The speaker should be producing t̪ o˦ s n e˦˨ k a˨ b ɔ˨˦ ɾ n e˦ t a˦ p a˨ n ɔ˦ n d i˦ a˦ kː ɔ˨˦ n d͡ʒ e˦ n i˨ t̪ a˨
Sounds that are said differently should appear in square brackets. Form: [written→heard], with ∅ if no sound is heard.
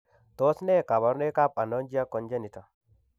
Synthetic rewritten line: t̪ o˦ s n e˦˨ k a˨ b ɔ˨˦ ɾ n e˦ [t→k] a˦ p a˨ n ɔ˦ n [d→d͡ʒ] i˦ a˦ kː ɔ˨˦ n d͡ʒ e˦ n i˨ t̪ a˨